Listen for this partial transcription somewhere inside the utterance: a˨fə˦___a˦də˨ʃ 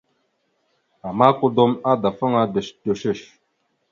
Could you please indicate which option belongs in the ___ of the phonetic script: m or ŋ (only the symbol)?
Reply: ŋ